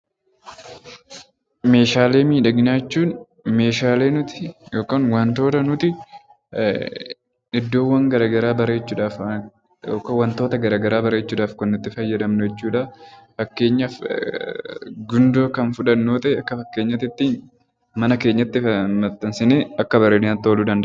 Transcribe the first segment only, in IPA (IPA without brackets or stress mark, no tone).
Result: m